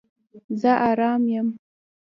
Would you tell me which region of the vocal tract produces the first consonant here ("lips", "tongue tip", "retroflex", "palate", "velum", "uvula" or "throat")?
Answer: tongue tip